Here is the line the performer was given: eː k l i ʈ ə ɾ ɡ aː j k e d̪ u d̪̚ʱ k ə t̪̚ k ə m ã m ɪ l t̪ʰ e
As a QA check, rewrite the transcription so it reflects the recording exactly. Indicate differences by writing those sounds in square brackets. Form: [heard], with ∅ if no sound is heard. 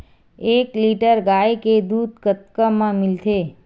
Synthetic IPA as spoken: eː k l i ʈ ə ɾ ɡ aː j k e d̪ u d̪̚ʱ k ə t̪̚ k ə m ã m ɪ l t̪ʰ e